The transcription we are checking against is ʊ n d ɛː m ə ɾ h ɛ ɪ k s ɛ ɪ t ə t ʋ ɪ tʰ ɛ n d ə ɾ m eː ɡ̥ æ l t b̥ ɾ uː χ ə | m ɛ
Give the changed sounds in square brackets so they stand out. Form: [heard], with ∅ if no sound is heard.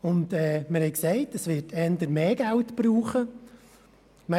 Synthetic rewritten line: ʊ n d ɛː m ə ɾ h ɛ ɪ k s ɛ ɪ t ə [s] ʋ ɪ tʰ ɛ n d ə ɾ m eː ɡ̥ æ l t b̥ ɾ uː χ ə | m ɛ